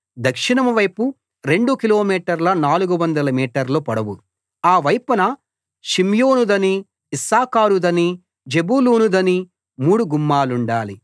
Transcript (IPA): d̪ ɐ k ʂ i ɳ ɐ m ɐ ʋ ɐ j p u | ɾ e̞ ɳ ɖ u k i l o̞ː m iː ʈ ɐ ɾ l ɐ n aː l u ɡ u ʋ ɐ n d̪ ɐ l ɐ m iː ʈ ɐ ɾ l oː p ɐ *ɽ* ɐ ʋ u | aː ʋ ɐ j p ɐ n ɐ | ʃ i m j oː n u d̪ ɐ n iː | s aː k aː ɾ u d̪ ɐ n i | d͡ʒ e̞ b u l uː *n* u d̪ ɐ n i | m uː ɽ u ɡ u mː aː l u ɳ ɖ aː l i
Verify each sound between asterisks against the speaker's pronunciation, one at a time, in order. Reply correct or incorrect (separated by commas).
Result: correct, correct